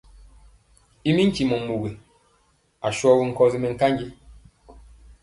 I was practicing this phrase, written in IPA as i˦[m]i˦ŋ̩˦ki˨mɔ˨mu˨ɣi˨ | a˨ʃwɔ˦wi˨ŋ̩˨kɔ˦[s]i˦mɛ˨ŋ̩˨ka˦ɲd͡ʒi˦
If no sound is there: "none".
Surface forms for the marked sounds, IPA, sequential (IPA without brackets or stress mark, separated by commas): m, z